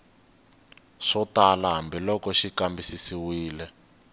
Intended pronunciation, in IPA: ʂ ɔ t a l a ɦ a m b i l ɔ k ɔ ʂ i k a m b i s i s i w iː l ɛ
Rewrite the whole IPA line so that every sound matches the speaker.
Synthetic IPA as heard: ʂ ɔ t a l a ɦ a m b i l ɔ k ɔ ʃ i k a m b i s i s i w iː l ɛ

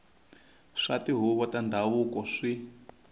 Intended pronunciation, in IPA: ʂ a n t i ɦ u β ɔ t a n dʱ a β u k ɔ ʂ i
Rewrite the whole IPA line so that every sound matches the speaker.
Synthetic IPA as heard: ʂ a t i ɦ u β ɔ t a n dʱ a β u k ɔ ʂ i

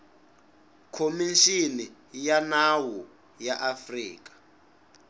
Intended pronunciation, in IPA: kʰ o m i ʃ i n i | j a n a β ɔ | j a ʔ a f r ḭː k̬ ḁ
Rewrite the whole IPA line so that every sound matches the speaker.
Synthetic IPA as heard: kʰ o m i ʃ i n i | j a n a w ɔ | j a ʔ a f r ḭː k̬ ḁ

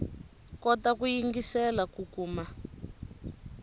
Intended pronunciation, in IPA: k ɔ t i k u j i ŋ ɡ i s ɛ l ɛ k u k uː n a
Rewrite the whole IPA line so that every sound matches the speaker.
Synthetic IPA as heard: k ɔ t a k u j i ŋ ɡ i s ɛ l a k u k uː m a

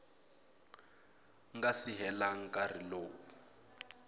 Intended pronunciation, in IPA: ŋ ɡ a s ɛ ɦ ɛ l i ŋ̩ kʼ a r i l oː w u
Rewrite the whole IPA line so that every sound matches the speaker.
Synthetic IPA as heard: ŋ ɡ a s i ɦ ɛ l a ŋ̩ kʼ a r i l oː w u

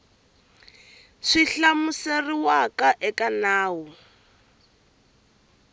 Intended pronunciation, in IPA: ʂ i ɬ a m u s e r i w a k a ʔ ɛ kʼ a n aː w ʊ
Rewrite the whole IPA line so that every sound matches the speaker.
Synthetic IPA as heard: ʂ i ɬ a m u s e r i w a k a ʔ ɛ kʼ a n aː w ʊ

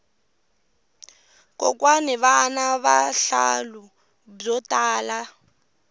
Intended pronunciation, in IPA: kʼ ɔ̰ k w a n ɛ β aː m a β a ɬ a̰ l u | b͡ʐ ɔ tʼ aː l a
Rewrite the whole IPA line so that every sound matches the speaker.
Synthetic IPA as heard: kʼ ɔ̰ k w a n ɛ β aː n a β a ɬ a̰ l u | b͡ʐ ɔ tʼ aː l a

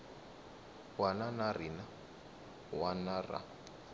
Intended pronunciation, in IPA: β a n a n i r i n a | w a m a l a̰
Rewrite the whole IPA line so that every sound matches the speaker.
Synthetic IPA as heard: w a n a n a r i n a | w a n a r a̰

